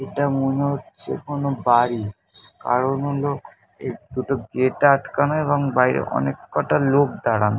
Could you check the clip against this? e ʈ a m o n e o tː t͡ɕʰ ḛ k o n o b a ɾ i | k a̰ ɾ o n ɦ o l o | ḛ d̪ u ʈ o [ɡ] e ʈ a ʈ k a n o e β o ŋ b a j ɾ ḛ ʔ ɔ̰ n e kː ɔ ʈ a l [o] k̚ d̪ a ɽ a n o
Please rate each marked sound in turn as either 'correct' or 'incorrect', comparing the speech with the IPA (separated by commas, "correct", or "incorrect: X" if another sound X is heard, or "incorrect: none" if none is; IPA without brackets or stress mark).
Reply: correct, correct